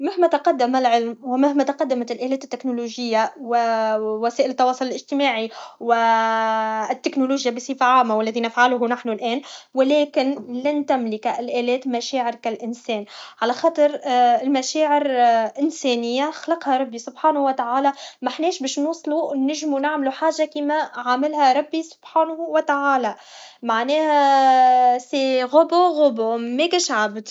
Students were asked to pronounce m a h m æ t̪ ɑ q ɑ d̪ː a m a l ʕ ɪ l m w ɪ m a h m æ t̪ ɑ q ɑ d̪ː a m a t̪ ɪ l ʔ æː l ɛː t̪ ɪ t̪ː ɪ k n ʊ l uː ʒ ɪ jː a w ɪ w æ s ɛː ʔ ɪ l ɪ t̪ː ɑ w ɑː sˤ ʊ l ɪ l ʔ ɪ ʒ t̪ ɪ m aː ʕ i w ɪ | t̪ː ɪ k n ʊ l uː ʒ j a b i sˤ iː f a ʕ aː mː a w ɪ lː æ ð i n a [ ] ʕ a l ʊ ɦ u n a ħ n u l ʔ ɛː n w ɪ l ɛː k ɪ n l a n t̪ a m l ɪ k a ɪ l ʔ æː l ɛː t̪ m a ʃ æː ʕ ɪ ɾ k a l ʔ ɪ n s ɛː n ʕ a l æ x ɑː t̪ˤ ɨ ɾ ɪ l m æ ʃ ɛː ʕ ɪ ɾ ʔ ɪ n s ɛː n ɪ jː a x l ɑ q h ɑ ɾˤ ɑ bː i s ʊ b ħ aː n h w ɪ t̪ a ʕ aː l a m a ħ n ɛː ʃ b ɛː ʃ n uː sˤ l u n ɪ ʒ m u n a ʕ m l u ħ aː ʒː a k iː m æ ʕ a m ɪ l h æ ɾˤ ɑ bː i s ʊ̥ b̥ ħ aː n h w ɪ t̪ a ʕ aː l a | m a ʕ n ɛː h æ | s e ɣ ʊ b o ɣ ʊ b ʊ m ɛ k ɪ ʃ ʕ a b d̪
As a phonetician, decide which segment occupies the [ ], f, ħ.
f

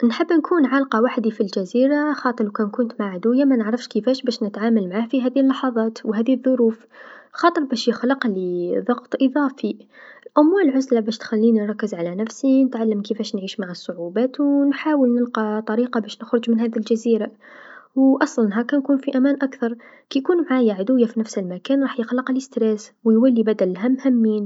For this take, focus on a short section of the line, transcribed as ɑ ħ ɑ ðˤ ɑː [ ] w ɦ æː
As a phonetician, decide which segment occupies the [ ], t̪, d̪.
t̪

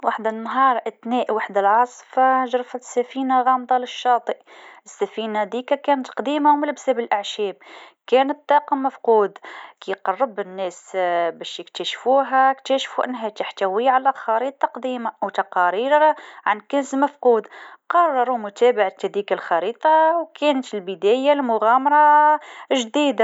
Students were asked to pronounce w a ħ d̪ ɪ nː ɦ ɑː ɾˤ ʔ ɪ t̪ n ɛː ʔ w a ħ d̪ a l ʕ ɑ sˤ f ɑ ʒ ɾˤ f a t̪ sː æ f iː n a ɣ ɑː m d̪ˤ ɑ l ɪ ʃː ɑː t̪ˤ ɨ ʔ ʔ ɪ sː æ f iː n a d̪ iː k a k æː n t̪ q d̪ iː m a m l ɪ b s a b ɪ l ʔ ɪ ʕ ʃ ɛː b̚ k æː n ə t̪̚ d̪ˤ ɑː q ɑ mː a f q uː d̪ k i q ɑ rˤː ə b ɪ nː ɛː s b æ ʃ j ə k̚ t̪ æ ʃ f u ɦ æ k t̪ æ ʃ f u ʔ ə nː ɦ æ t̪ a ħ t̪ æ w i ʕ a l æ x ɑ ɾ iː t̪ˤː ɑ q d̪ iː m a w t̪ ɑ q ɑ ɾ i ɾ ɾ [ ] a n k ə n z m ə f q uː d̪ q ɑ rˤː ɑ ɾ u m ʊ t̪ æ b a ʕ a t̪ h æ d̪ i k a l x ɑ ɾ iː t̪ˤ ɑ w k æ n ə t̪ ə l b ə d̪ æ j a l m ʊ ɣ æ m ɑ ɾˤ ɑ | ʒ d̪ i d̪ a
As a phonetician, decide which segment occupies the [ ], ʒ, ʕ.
ʕ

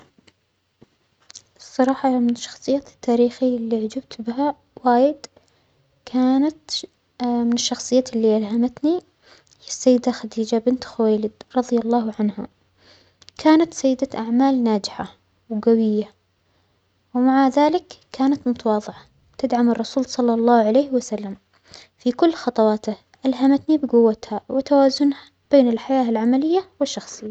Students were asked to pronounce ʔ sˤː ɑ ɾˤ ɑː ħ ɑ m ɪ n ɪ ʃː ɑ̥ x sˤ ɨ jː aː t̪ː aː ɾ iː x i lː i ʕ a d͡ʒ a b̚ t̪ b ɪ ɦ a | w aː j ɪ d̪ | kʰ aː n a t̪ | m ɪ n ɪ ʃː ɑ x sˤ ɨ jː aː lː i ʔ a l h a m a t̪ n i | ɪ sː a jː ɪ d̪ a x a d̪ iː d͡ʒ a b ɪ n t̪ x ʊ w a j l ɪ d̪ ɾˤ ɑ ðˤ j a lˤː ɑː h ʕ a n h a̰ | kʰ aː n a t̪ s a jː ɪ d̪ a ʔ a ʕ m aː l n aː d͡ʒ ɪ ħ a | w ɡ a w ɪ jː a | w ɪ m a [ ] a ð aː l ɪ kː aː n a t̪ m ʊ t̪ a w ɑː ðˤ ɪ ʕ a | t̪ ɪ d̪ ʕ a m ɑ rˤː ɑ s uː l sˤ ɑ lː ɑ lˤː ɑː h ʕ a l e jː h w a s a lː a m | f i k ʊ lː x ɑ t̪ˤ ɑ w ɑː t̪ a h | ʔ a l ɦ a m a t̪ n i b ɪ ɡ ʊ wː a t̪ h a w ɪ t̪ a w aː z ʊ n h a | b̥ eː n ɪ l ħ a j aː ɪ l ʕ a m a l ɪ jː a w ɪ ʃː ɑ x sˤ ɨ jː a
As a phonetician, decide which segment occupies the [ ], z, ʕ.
ʕ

